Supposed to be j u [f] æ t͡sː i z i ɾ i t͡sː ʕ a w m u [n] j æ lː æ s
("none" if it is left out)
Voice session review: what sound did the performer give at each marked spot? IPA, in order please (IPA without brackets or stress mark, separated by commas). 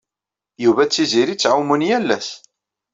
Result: v, n